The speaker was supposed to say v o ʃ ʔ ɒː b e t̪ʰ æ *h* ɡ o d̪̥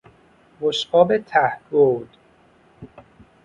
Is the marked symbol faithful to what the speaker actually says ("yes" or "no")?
yes